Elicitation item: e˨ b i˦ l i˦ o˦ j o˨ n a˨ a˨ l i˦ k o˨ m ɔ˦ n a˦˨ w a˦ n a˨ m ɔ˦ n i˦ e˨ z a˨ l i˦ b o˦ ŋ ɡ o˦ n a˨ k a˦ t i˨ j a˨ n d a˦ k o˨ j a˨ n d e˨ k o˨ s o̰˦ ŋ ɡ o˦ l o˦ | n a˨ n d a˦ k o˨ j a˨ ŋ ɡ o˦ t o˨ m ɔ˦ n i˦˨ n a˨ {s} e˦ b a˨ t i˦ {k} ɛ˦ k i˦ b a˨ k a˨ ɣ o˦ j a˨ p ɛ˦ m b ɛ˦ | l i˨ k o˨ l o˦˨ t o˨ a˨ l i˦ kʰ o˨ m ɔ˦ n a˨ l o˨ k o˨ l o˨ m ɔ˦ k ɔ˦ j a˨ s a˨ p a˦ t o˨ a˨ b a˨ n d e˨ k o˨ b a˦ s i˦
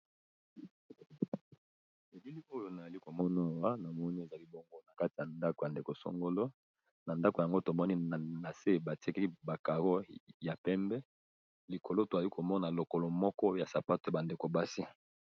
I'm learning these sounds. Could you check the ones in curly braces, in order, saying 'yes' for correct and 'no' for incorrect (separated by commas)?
yes, yes